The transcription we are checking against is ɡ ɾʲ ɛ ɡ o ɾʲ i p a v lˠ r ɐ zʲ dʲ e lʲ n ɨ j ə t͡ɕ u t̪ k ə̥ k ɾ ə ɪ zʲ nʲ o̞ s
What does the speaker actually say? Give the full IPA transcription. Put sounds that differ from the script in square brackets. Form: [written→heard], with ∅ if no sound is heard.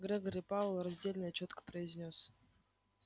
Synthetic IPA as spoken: ɡ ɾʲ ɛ ɡ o ɾʲ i p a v lˠ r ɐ zʲ dʲ e lʲ n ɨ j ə t͡ɕ [u→o] t̪ k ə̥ [k→p] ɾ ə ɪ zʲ nʲ o̞ s